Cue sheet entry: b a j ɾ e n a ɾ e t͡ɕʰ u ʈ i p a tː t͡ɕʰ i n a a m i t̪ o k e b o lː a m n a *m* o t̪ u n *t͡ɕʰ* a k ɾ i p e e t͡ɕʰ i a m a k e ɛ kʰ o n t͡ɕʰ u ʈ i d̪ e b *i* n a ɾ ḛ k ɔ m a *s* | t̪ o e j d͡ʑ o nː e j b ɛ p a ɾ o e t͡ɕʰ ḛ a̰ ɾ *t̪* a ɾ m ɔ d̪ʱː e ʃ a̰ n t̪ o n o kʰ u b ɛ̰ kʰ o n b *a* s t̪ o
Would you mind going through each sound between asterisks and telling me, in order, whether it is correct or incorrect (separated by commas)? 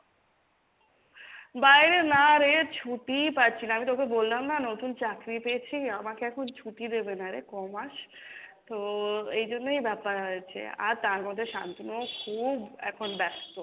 incorrect, incorrect, incorrect, incorrect, correct, incorrect